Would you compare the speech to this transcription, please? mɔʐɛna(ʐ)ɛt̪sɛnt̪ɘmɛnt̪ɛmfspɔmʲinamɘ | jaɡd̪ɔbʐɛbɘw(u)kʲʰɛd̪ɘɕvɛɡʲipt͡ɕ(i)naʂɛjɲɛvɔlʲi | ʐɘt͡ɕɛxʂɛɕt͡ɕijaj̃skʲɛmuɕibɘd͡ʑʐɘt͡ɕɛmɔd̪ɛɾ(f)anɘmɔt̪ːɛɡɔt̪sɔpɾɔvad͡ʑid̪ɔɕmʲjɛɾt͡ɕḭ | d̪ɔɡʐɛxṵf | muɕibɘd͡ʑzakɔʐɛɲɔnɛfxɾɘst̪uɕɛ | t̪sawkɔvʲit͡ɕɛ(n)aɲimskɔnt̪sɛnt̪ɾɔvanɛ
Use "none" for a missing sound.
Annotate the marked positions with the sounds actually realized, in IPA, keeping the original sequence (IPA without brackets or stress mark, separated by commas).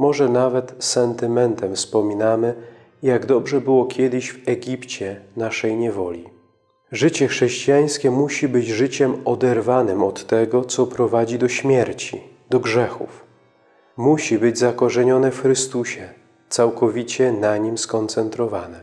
v, ɔ, ɛ, v, n